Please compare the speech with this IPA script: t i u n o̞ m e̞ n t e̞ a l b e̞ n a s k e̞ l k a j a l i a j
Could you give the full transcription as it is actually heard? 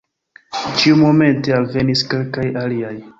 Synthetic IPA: t͡ʃ i u m o̞ m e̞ n t e̞ a l v e̞ n i s k e̞ l k a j a l i a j